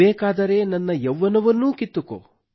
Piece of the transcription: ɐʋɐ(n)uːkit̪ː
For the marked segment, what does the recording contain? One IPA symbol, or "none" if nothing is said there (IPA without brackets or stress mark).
nː